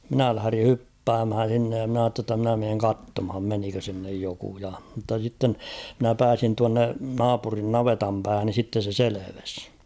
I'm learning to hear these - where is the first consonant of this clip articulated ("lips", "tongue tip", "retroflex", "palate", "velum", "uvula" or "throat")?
lips